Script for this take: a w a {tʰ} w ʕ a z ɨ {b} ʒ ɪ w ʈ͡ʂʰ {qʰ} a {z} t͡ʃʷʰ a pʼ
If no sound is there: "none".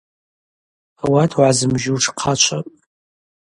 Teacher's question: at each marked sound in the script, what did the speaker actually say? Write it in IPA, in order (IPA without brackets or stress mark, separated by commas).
tʰ, m, qʰ, none